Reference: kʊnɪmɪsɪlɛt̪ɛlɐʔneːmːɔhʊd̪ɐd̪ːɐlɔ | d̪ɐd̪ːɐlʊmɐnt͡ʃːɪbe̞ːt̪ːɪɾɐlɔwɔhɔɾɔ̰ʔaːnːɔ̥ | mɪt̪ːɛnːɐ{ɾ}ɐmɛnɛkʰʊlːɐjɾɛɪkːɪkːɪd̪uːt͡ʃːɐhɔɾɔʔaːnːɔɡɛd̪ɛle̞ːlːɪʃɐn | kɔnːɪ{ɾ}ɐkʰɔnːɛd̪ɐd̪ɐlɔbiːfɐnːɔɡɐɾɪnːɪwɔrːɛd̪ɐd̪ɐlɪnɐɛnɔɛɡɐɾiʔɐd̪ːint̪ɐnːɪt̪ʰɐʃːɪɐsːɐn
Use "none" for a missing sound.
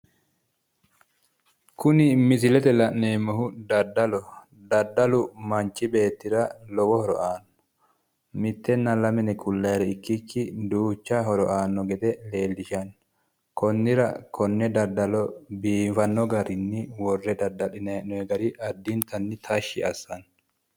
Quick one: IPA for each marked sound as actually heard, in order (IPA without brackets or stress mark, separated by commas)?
l, ɾ